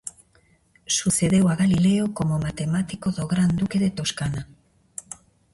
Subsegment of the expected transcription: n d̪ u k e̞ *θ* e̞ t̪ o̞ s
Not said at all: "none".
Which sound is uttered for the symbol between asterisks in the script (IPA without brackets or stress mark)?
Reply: ð